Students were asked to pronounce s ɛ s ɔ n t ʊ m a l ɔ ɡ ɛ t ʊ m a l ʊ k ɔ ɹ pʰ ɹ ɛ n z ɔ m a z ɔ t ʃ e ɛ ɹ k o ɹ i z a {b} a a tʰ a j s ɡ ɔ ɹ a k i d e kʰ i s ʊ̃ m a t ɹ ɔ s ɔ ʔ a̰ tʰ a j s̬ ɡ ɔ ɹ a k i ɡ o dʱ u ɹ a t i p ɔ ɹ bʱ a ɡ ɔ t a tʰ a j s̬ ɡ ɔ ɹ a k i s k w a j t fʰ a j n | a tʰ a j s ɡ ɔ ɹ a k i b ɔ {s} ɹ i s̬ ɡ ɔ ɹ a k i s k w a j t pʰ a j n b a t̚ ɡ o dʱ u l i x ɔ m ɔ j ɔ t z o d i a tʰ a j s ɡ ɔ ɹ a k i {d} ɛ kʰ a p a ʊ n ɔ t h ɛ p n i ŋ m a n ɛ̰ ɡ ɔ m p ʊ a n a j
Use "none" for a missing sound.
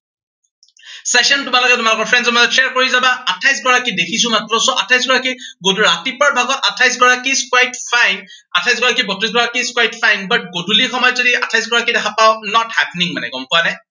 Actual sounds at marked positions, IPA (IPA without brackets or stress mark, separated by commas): b, t, d